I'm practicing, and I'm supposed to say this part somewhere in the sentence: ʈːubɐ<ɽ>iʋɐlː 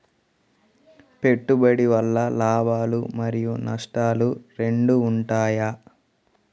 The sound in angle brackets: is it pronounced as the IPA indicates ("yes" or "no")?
yes